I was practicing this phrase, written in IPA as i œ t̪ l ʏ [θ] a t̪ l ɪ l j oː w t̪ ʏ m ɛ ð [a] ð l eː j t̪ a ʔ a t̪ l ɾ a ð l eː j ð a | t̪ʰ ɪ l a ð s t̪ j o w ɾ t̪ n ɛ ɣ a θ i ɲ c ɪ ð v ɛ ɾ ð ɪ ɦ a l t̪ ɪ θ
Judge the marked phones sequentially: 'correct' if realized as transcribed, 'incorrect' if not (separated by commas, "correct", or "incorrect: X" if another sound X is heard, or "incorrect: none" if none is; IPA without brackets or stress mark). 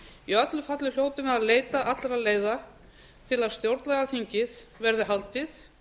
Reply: incorrect: f, correct